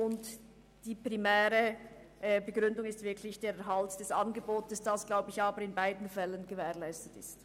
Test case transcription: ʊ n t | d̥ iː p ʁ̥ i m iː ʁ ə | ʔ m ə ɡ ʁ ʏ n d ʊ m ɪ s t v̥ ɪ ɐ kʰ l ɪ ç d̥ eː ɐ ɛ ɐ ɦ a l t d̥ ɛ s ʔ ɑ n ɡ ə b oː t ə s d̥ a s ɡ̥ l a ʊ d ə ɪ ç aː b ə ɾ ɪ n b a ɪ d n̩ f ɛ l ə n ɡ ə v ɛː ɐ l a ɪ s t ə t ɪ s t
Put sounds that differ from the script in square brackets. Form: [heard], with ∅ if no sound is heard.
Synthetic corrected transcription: ʊ n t | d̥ iː p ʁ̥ i m [ɛː] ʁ ə | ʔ [b] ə ɡ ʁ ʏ n d ʊ [ŋ] ɪ s t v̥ ɪ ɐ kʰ l ɪ ç d̥ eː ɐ ɛ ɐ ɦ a l t d̥ ɛ s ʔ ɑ n ɡ ə b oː t ə s d̥ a s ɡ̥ l a ʊ [b] ə ɪ ç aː b ə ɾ ɪ n b a ɪ d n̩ f ɛ l ə n ɡ ə v ɛː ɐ l a ɪ s t ə t ɪ s t

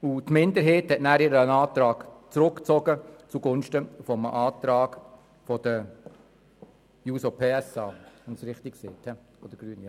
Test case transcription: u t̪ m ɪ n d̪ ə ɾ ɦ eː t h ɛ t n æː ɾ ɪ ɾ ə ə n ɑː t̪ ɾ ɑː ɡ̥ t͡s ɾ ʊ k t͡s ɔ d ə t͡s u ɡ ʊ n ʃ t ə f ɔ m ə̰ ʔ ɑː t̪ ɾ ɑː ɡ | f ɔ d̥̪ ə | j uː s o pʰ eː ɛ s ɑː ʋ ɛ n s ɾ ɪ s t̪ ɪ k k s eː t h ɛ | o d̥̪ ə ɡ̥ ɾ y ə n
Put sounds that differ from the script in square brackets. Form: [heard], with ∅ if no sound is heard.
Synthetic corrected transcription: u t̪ m ɪ n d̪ ə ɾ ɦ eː t h ɛ t n æː ɾ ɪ ɾ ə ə n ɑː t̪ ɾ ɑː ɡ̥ t͡s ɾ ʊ k t͡s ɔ [ɡ] ə t͡s u ɡ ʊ n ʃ t ə f ɔ m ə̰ ʔ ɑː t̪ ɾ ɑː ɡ | f ɔ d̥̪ ə | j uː s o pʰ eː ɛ s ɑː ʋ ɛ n s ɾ ɪ [χ] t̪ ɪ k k s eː t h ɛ | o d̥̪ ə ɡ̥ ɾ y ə n

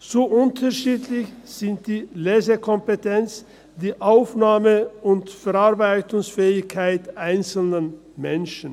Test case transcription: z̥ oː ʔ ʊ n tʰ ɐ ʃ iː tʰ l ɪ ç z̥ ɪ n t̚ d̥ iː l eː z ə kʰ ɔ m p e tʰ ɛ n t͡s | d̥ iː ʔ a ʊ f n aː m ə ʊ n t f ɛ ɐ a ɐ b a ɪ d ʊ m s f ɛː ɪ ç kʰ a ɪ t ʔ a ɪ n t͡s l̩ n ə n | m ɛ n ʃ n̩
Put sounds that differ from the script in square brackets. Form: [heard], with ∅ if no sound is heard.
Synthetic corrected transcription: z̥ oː ʔ ʊ n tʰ ɐ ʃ iː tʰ l ɪ ç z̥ ɪ n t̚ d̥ iː l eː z ə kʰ ɔ m p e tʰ ɛ n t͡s | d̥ iː ʔ a ʊ f n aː m ə ʊ n t f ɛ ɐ a ɐ b a ɪ [t] ʊ [ŋ] s f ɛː ɪ ç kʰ a ɪ t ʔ a ɪ n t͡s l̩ n ə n | m ɛ n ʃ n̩

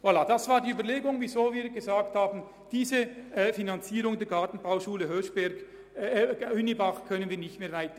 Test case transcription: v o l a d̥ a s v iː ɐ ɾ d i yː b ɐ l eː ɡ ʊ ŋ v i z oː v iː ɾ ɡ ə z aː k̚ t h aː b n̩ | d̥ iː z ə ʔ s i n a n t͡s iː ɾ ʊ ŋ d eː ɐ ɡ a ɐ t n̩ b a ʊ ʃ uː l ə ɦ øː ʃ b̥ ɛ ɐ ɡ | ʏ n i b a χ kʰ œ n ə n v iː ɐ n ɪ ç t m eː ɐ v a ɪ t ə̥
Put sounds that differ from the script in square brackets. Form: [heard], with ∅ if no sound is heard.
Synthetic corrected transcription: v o l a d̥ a s v [aː] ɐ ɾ d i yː b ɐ l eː ɡ ʊ ŋ v i z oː v iː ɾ ɡ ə z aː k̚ t h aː b n̩ | d̥ iː z ə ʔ [f] i n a n t͡s iː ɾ ʊ ŋ d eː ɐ ɡ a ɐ t n̩ b a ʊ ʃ uː l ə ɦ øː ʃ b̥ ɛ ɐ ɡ | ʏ n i b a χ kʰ œ n ə n v iː ɐ n ɪ ç t m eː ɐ v a ɪ t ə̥

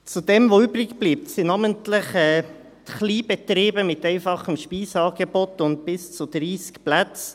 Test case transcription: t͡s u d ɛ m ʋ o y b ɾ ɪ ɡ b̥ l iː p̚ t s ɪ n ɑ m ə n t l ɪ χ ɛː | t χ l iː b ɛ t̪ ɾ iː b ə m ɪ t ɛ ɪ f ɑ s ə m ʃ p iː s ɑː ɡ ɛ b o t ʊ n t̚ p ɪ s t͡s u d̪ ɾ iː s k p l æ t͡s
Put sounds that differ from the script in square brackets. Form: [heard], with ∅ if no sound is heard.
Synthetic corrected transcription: t͡s u d ɛ m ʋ o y b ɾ ɪ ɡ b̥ l iː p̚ t s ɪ n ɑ m ə n t l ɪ χ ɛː | t χ l iː b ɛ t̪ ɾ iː b ə m ɪ t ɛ ɪ f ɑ [χ] ə m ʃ p iː s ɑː ɡ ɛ b o t ʊ n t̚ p ɪ s t͡s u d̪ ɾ iː s k p l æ t͡s

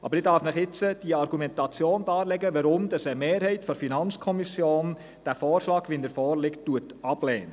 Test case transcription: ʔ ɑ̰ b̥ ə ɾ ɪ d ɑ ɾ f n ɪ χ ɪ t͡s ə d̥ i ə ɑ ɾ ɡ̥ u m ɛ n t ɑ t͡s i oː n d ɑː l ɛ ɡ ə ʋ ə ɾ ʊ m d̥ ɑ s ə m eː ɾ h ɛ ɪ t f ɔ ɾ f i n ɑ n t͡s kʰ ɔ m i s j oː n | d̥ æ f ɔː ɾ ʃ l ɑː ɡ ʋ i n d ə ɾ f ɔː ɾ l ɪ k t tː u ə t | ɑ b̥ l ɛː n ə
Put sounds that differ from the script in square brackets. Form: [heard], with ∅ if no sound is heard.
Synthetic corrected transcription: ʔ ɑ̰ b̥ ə ɾ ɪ d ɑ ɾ f n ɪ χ ɪ t͡s ə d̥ i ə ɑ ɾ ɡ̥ u m ɛ n t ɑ t͡s [j] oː n d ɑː l ɛ ɡ ə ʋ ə ɾ ʊ m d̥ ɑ s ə m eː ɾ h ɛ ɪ t f ɔ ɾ f i n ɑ n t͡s kʰ ɔ m i s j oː n | d̥ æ f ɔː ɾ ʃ l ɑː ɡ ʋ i n d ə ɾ f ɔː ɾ l ɪ k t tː u ə t | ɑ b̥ l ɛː n ə

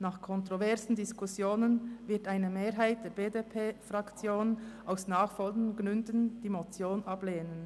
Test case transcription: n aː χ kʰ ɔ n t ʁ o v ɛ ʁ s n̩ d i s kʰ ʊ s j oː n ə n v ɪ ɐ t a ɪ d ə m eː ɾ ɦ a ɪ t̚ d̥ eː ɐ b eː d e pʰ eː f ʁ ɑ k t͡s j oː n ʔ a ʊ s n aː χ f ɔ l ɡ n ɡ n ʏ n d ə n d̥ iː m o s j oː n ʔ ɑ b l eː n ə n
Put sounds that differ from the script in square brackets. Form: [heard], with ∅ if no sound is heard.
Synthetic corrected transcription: n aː χ kʰ ɔ n t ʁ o v ɛ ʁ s n̩ d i s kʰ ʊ s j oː n ə n v ɪ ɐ t a ɪ [n] ə m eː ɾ ɦ a ɪ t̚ d̥ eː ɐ b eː d e pʰ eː f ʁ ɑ k t͡s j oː n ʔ a ʊ s n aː χ f ɔ l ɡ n ɡ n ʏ n d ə n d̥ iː m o [t͡s] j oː n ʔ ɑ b l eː n ə n

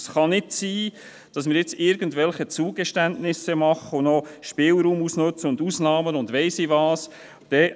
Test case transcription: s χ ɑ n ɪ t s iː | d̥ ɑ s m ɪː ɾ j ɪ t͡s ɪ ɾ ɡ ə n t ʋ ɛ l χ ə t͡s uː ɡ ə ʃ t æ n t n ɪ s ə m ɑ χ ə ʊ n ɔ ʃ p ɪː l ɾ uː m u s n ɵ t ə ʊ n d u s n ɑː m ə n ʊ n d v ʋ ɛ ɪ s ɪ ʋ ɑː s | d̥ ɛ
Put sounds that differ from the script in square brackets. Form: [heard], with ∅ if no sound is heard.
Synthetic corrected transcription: s χ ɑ n ɪ t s iː | d̥ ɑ s m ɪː ɾ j ɪ t͡s ɪ ɾ ɡ ə n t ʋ ɛ l χ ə t͡s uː ɡ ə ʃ t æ n t n ɪ s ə m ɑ χ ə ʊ n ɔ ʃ p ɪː l ɾ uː m u s n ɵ [t͡s] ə ʊ n d u s n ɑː m ə n ʊ n d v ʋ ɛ ɪ s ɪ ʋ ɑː s | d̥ ɛ

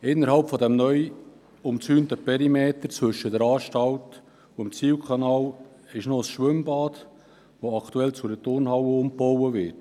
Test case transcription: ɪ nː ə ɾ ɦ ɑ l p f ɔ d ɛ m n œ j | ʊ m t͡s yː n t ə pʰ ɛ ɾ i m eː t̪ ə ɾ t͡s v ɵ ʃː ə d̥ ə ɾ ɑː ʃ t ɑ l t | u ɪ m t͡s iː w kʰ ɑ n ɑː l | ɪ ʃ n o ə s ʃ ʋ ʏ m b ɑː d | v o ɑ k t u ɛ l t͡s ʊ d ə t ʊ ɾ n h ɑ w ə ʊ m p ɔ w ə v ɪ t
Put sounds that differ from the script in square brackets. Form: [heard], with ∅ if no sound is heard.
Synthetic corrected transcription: ɪ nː ə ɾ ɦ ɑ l p f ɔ d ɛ m n œ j | ʊ m t͡s yː n t ə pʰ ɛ ɾ i m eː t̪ ə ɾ t͡s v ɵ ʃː ə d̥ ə ɾ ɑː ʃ t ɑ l t | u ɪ m t͡s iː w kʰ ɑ n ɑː l | ɪ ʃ n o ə s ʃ ʋ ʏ m b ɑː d | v o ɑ k t u ɛ l t͡s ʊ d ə t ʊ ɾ n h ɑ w ə ʊ m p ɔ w ə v ɪ t

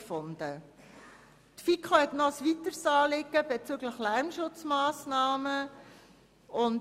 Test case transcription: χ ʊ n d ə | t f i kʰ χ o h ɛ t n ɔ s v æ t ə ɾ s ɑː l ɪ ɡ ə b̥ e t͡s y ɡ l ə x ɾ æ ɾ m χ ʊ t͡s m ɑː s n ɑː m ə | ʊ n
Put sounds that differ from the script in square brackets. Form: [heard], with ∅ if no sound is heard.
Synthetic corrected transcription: [f] ʊ n d ə | t f i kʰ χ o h ɛ t n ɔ s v [i] t ə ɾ s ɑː l ɪ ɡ ə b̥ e t͡s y ɡ l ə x [l] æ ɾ m [ʃ] ʊ t͡s m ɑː s n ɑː m ə | ʊ n

